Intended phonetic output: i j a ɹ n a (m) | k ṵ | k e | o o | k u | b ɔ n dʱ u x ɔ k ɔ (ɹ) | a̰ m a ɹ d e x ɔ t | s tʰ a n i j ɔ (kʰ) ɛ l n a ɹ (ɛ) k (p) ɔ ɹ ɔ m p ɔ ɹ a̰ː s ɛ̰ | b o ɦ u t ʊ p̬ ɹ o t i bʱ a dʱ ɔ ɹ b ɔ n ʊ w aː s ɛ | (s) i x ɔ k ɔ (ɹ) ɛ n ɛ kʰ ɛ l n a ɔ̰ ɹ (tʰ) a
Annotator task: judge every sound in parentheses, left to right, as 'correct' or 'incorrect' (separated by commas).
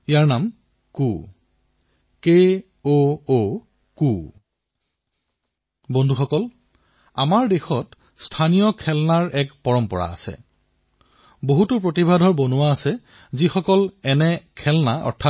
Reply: correct, incorrect, correct, correct, correct, incorrect, incorrect, correct